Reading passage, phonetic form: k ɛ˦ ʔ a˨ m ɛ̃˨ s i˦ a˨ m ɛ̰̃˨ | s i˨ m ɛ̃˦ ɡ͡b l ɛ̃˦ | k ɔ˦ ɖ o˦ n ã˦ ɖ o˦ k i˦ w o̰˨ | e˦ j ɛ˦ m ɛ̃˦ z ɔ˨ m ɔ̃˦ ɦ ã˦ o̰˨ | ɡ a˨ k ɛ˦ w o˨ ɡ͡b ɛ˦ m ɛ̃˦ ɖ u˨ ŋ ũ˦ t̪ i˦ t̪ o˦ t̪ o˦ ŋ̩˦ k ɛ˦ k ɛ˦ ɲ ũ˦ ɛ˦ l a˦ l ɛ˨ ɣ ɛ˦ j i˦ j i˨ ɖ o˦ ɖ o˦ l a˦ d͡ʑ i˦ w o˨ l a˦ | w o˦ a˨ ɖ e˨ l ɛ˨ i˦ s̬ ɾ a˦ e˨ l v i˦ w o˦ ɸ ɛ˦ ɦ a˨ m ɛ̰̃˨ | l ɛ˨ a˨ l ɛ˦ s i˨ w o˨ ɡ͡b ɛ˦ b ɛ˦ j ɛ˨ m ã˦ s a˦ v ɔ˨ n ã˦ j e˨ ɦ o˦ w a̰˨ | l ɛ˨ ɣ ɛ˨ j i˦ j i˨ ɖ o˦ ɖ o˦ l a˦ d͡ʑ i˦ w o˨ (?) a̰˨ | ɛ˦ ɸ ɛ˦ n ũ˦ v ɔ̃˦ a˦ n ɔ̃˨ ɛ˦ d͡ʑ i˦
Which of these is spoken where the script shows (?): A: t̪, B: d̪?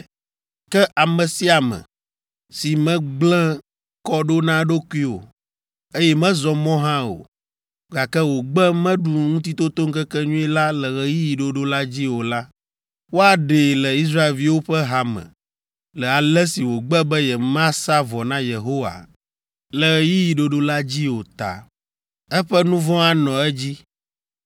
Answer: A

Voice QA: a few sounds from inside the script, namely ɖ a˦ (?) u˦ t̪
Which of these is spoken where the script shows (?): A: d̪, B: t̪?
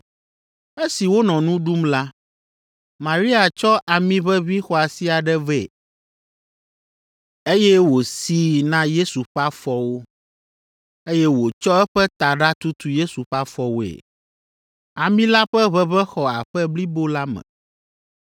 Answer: B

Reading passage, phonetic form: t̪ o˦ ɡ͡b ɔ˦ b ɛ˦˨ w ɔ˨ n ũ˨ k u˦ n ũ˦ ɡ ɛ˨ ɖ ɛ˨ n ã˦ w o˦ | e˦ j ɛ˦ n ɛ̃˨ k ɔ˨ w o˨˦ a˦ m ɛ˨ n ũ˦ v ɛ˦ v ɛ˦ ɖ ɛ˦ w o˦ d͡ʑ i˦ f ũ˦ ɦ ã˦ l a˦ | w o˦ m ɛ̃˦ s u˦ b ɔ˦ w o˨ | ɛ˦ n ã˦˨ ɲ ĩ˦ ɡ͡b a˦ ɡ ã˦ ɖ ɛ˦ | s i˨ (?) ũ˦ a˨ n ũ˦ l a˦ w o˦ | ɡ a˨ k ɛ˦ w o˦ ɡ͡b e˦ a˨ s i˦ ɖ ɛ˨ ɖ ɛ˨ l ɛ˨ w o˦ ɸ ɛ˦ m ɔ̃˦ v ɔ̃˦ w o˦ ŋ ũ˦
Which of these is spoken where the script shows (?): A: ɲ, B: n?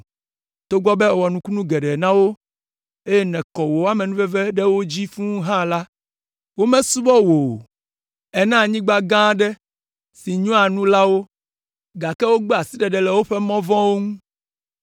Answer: A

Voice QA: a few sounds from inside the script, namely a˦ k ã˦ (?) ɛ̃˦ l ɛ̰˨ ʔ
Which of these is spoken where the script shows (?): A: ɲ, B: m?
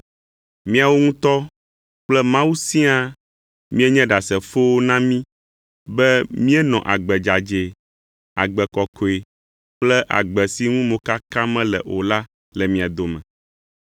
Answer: B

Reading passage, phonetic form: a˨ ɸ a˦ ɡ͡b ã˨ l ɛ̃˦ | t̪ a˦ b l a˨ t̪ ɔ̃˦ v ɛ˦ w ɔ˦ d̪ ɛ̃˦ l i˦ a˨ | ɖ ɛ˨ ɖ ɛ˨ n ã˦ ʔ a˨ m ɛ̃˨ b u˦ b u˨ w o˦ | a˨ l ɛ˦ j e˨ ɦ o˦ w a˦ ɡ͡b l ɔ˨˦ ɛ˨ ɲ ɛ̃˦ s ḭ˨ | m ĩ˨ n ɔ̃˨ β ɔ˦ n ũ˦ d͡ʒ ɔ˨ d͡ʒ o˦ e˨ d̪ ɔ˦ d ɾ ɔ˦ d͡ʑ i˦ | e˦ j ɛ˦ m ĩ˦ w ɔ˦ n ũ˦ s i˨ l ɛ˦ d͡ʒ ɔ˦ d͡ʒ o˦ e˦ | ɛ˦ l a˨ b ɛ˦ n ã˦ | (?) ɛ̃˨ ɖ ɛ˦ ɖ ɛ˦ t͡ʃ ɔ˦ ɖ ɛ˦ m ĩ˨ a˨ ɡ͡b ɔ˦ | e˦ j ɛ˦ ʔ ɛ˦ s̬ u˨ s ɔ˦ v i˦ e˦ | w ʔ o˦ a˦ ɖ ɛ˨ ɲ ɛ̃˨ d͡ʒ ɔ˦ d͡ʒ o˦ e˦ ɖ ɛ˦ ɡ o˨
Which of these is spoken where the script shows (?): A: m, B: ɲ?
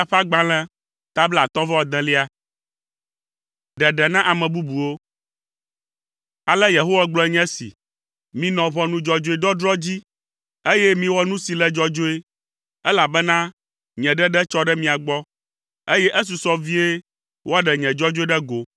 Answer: B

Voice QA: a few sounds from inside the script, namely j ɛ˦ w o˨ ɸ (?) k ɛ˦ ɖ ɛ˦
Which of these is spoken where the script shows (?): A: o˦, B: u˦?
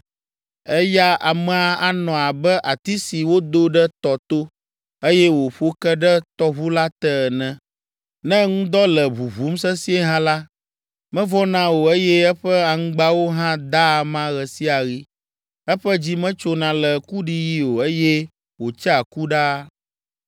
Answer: A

